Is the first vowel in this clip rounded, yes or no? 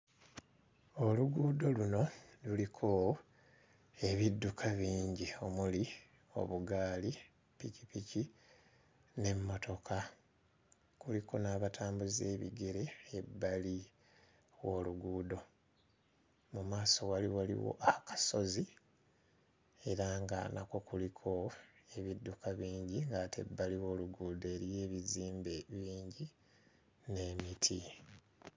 yes